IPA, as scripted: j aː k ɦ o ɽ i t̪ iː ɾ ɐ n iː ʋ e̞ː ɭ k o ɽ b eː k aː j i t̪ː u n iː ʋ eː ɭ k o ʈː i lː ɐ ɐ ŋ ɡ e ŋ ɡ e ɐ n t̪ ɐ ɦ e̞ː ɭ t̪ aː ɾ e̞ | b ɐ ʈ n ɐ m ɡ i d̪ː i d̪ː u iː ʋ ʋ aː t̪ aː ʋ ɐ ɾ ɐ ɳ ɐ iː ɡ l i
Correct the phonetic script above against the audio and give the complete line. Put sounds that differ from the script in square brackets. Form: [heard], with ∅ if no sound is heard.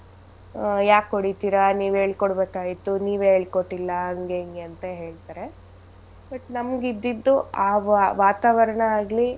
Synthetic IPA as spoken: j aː k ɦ o ɽ i t̪ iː ɾ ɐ n iː ʋ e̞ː ɭ k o ɽ b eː k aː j i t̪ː u n iː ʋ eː ɭ k o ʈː i lː ɐ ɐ ŋ ɡ e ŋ ɡ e ɐ n t̪ ɐ ɦ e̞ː ɭ t̪ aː ɾ e̞ | b ɐ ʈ n ɐ m ɡ i d̪ː i d̪ː u [aː] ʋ ʋ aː t̪ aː ʋ ɐ ɾ ɐ ɳ ɐ [aː] ɡ l i